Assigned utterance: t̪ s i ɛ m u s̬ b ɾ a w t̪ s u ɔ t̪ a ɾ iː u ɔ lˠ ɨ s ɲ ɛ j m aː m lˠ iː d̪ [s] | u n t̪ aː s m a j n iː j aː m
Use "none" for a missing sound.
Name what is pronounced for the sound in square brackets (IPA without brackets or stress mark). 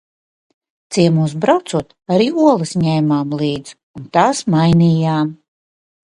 z